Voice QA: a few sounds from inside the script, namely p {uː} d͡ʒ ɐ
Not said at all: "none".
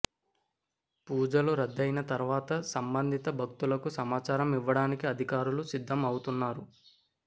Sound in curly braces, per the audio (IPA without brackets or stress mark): uː